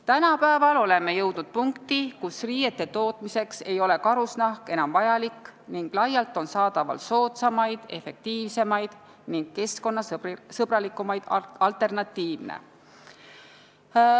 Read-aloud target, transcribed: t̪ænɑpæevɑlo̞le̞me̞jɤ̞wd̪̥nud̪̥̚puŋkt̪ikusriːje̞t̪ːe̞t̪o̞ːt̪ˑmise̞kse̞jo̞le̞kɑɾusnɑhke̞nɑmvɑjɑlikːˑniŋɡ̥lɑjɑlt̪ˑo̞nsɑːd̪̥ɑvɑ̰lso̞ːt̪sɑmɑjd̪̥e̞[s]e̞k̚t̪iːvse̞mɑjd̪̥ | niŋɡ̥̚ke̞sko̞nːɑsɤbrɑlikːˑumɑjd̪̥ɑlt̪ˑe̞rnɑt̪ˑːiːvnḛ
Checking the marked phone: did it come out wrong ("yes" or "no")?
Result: yes